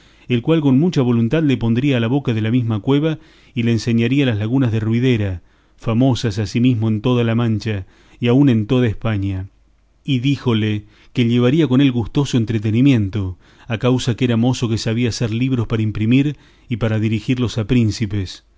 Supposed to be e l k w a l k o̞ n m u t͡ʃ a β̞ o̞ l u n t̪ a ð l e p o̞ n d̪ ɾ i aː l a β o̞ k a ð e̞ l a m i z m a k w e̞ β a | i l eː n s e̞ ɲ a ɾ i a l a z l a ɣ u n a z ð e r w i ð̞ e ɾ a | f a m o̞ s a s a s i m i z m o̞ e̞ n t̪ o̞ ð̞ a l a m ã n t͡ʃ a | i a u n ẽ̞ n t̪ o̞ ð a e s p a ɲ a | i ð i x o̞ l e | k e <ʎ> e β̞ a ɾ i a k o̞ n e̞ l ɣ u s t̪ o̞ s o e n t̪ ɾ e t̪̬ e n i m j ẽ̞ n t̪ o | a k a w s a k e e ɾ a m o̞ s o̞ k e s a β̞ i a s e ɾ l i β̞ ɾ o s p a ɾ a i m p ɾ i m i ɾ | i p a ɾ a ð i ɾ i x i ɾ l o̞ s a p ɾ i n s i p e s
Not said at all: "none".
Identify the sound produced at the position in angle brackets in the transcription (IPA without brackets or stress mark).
ʎ